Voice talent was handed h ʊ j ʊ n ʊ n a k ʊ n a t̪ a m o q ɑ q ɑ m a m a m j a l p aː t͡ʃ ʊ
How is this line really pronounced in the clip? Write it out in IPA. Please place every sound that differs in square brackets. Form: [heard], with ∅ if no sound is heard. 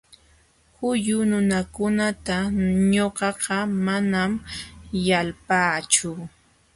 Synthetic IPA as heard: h ʊ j ʊ n ʊ n a k ʊ n a t̪ a [ɲ] o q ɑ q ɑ m a [n] a m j a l p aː t͡ʃ ʊ